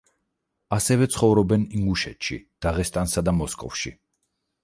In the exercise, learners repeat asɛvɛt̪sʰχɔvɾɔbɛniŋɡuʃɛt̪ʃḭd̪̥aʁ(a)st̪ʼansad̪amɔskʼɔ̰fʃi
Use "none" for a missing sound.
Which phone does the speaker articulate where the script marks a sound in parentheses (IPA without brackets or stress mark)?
ɛ